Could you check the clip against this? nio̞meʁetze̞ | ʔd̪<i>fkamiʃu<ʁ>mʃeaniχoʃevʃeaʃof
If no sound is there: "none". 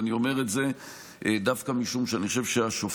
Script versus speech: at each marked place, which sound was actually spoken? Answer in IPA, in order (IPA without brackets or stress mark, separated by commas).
a, none